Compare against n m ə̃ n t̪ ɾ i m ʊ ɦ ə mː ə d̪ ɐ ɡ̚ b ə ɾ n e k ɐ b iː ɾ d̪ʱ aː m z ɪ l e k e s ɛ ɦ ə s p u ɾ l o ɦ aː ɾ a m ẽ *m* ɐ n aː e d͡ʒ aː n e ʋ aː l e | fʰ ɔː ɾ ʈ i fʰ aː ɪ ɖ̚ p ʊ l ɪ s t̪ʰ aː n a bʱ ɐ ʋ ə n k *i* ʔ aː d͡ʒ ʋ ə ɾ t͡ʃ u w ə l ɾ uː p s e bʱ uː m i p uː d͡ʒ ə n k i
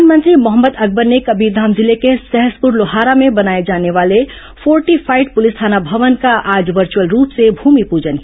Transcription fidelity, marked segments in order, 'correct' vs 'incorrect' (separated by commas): incorrect, incorrect